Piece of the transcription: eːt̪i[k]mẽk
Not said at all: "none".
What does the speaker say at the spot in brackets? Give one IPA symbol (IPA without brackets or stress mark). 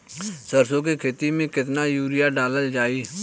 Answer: none